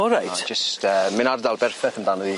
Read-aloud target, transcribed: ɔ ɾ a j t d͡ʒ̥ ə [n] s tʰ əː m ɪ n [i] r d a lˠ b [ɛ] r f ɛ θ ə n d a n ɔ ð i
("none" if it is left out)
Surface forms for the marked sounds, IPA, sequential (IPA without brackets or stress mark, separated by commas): none, a, ɛ